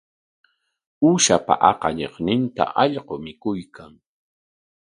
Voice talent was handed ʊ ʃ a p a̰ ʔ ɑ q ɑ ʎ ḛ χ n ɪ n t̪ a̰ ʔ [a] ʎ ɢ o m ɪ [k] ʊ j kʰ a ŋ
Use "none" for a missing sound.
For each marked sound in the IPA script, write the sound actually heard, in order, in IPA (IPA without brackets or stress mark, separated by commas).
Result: ɑ, k